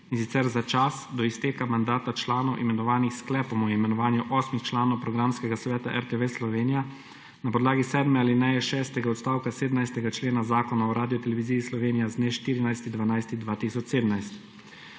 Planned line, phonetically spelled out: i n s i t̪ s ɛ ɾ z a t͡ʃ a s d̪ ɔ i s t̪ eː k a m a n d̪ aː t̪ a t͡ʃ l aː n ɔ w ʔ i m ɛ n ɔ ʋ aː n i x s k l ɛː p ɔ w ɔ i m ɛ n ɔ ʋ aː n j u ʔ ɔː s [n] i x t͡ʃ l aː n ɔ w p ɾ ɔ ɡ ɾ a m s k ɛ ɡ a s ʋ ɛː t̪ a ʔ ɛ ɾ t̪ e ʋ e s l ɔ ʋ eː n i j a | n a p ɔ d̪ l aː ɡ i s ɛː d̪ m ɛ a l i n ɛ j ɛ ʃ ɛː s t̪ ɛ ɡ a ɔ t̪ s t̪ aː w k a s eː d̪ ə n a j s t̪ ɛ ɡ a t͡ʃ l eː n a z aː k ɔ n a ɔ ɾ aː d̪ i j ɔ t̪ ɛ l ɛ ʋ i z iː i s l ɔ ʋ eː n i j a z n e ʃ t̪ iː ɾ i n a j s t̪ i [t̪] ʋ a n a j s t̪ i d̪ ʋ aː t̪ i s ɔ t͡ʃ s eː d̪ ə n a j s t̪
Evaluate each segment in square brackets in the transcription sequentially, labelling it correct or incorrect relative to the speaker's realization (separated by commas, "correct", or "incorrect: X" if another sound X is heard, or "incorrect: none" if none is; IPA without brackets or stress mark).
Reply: incorrect: m, incorrect: d̪